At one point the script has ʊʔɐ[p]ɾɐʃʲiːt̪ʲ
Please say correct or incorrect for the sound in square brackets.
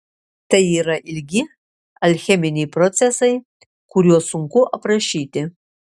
correct